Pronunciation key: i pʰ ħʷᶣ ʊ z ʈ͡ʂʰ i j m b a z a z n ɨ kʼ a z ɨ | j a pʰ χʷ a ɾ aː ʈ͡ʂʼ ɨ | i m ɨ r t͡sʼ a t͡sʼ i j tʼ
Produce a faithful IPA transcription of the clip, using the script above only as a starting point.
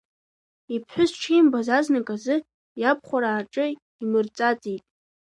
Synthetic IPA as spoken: i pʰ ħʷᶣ ʊ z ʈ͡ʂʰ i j m b a z a z n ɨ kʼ a z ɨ | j a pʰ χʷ a ɾ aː ʈ͡ʂʼ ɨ | i m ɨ r t͡sʼ a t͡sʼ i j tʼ